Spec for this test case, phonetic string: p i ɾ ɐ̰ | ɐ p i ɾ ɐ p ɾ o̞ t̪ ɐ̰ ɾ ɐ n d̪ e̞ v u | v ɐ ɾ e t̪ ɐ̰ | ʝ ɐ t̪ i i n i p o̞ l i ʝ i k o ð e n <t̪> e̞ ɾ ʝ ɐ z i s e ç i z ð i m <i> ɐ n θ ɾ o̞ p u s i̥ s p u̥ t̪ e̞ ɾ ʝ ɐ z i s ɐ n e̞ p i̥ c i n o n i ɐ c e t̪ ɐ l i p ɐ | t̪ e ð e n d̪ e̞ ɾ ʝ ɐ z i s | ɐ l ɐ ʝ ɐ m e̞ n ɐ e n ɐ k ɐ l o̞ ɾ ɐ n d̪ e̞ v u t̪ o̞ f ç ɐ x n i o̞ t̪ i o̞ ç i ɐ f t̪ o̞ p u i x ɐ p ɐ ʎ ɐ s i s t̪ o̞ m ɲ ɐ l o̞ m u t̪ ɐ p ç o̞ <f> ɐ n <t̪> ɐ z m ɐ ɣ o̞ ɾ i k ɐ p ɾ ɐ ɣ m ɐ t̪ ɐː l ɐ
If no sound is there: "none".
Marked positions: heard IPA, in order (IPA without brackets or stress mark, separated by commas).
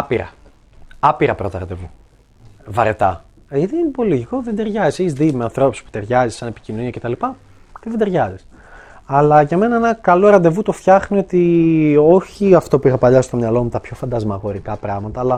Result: d̪, e, f, d̪